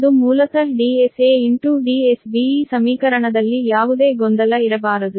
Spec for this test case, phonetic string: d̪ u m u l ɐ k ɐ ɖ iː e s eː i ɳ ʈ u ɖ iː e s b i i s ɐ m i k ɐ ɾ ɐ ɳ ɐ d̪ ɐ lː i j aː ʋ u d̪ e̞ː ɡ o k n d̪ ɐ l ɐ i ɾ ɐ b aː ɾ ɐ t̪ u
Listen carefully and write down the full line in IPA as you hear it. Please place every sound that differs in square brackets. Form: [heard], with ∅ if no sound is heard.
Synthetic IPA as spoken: d̪ u m [uː] l ɐ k ɐ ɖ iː e s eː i ɳ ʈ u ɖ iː e s b i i s ɐ m [iː] k ɐ ɾ ɐ ɳ ɐ d̪ ɐ lː i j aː ʋ u d̪ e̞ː ɡ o [∅] n d̪ ɐ l ɐ i ɾ ɐ b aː ɾ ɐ [d̪] u